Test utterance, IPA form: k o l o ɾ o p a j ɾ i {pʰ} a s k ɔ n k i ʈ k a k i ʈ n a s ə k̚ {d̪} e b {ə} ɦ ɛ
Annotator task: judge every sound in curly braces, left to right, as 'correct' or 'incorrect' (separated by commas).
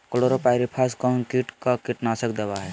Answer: correct, correct, incorrect